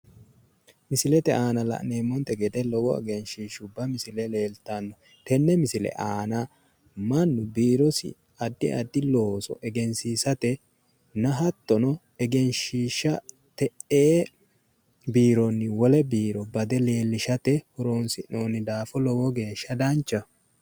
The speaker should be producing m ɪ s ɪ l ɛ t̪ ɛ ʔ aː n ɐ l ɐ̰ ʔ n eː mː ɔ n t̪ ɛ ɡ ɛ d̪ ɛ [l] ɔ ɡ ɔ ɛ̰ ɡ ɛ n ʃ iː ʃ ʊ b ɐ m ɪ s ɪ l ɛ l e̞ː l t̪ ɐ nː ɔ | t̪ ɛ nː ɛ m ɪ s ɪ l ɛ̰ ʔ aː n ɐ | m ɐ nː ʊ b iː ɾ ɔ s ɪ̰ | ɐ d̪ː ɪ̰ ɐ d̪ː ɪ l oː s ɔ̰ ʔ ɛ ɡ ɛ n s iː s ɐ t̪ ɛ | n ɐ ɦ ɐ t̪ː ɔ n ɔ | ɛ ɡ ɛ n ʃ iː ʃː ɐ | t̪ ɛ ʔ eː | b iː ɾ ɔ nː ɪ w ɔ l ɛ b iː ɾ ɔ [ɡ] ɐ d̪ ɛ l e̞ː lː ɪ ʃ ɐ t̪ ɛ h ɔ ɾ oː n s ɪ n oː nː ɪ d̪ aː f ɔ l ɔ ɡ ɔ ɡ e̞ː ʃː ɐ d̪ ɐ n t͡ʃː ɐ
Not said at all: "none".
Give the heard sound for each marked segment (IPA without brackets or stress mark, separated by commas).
l, b